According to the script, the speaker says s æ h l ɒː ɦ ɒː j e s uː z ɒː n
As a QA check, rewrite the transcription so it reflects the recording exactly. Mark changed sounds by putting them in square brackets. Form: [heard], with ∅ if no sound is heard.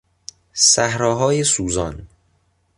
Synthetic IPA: s æ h [ɾ] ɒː ɦ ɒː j e s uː z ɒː n